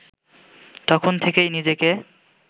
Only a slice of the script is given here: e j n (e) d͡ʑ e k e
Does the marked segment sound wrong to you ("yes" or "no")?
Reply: yes